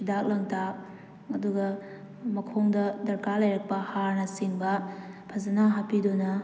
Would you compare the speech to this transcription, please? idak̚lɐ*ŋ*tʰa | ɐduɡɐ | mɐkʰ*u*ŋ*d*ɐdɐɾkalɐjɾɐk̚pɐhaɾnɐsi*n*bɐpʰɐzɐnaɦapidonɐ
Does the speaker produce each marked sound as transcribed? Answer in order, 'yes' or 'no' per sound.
yes, no, yes, no

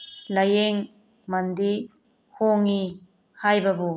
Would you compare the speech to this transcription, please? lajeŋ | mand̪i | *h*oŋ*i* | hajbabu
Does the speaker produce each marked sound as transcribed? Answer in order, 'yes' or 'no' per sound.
yes, yes

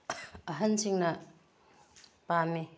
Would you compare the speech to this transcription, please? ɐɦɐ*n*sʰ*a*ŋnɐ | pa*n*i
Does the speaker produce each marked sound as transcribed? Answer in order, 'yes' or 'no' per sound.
yes, no, no

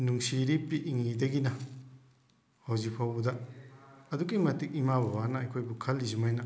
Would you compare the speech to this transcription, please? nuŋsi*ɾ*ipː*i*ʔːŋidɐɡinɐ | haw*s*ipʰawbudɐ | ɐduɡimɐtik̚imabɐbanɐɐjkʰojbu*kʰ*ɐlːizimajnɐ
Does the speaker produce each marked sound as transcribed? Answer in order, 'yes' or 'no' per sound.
yes, yes, no, yes

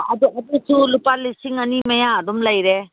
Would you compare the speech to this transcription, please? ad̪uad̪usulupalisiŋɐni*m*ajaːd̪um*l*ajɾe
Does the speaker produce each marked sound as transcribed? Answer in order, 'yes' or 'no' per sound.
yes, yes

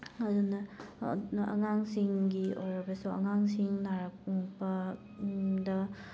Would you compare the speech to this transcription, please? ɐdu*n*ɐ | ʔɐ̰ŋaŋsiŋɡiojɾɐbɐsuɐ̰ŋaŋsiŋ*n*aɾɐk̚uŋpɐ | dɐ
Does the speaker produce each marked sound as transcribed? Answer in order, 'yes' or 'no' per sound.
yes, yes

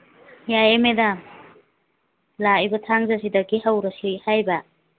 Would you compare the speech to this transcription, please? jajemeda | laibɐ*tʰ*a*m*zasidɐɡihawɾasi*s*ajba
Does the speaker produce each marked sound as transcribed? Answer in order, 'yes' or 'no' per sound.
yes, no, no

